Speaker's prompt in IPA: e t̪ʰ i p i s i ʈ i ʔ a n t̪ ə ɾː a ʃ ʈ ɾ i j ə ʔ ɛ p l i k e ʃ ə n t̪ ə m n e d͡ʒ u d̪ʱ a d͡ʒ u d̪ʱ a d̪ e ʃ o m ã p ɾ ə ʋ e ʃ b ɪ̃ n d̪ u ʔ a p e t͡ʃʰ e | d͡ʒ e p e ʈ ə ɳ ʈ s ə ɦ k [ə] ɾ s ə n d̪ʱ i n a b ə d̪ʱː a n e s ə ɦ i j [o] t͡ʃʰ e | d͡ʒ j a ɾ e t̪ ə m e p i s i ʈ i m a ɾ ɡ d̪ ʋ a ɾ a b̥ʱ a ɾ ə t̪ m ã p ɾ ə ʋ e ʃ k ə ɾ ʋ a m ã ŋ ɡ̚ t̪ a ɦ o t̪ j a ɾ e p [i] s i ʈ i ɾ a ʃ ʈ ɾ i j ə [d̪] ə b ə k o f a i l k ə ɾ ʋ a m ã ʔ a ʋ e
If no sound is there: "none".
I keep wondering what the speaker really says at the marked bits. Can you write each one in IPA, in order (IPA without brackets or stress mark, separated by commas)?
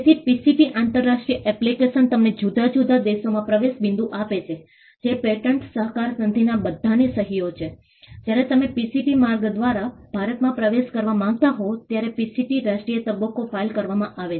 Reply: a, o, i, t̪